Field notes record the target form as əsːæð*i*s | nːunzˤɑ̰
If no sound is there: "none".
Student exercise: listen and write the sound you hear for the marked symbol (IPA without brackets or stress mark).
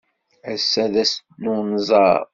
æ